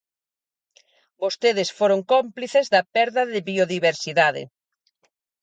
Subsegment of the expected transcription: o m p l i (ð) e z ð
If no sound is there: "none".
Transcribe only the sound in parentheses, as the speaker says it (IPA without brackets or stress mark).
θ